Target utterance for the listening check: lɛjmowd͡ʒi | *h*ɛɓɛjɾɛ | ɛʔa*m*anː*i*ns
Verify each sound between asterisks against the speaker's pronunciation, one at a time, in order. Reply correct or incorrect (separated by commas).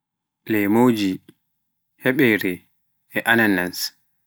correct, incorrect, incorrect